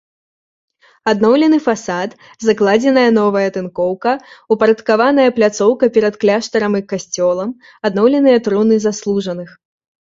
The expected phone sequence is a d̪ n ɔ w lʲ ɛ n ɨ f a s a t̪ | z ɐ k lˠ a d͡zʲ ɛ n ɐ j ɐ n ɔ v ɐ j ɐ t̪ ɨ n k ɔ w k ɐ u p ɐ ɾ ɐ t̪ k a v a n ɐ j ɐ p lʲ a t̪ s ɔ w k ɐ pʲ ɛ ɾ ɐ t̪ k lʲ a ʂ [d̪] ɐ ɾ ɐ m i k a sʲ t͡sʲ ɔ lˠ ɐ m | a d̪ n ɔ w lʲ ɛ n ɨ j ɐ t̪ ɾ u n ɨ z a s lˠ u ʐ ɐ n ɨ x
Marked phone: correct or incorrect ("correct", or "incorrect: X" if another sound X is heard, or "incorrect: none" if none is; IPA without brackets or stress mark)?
incorrect: t̪